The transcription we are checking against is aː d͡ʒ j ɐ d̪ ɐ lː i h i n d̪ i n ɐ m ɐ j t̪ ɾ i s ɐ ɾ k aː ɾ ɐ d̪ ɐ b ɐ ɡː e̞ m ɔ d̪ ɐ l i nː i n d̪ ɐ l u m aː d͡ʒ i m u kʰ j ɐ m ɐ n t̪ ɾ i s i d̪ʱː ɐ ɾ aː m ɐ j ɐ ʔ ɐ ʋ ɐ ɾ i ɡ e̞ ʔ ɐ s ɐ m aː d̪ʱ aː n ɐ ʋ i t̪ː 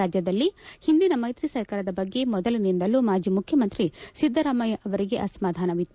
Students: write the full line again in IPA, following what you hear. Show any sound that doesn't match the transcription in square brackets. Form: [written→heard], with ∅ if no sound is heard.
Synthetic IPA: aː d͡ʒ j ɐ d̪ ɐ lː i h i n d̪ i n ɐ m ɐ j t̪ ɾ i s ɐ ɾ k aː ɾ ɐ d̪ ɐ b ɐ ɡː e̞ m ɔ d̪ ɐ l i [nː→n] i n d̪ ɐ l u m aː d͡ʒ i m u kʰ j ɐ m ɐ n t̪ ɾ i s i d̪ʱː ɐ ɾ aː m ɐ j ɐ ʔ ɐ ʋ ɐ ɾ i ɡ e̞ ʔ ɐ s ɐ m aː d̪ʱ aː n ɐ ʋ i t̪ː